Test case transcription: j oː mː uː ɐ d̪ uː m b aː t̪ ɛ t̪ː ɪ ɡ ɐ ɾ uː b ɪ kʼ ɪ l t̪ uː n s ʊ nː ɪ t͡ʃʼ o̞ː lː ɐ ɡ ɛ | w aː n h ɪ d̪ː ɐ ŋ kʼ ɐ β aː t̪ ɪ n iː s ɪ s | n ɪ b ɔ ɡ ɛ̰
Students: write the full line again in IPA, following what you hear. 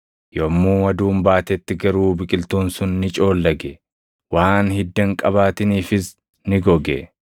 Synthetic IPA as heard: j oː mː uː ɐ d̪ uː m b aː t̪ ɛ t̪ː ɪ ɡ ɐ ɾ uː b ɪ kʼ ɪ l t̪ uː n s ʊ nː ɪ t͡ʃʼ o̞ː lː ɐ ɡ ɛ | w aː n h ɪ d̪ː ɐ ŋ kʼ ɐ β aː t̪ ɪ n iː f ɪ s | n ɪ ɡ ɔ ɡ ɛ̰